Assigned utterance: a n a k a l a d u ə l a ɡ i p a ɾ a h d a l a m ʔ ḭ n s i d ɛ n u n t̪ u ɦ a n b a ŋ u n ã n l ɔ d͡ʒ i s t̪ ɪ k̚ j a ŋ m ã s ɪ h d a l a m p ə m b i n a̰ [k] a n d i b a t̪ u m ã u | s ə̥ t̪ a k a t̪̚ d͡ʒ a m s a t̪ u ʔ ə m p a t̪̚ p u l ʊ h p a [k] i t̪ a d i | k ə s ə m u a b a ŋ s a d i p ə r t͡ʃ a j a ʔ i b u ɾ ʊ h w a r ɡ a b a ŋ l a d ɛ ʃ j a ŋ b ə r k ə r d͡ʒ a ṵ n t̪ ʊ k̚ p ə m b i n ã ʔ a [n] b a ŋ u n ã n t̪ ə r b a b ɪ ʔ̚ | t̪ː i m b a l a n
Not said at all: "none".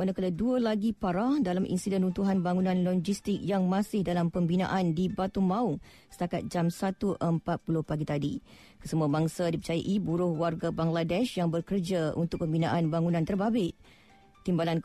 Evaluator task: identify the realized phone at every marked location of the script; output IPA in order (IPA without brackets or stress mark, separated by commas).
ʔ, ɡ, n